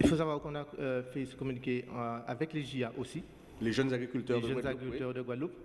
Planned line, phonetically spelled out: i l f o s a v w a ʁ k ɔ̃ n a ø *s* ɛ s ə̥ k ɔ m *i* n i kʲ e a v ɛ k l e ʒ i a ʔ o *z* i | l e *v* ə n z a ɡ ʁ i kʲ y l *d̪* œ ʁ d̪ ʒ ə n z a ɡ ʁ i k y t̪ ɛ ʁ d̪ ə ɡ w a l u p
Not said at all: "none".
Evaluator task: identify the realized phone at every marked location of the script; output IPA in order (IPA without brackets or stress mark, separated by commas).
f, y, s, ʒ, t̪